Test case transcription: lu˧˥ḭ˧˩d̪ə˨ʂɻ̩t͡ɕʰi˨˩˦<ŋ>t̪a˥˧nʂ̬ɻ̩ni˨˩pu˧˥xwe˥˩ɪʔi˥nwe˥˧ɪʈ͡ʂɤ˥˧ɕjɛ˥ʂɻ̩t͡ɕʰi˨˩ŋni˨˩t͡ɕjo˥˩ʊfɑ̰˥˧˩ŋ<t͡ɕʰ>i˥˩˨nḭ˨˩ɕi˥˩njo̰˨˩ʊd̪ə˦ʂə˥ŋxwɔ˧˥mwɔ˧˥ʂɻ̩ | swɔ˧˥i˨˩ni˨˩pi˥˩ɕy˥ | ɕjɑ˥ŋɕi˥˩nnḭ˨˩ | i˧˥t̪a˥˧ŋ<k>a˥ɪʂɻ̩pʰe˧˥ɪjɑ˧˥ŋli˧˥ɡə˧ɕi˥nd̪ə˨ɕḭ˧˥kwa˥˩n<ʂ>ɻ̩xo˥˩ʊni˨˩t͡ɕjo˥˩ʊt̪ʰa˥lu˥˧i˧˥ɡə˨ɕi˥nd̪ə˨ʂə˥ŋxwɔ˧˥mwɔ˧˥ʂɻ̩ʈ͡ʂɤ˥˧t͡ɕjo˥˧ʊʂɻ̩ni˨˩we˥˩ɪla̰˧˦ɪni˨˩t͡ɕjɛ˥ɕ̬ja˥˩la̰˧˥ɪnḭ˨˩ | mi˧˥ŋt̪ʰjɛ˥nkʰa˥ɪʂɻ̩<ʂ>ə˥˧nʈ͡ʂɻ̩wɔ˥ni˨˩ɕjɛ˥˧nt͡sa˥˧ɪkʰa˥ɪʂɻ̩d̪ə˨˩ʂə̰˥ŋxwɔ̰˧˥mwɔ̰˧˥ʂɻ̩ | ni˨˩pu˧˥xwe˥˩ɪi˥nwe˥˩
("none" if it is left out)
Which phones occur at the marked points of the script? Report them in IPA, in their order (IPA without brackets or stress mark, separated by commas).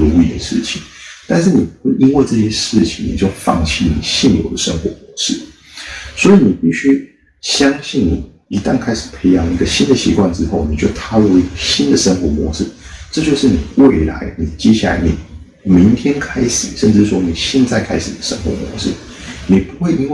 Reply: ŋ, t͡ɕʰ, kʰ, ʈ͡ʂ, ʂ